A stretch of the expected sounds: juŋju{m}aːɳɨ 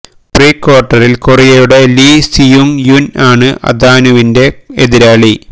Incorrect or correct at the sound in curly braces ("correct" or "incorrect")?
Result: incorrect